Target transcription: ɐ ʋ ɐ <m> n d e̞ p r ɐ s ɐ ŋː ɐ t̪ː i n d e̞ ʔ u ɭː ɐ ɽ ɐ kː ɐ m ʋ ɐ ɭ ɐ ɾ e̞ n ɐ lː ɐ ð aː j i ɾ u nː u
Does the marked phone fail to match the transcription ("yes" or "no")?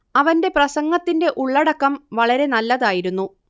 yes